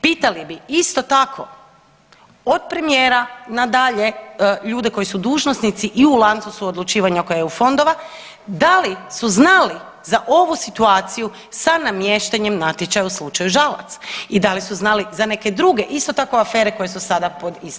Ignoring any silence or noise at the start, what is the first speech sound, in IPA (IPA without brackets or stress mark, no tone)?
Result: p